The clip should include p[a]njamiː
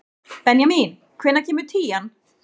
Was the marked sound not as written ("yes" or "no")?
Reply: yes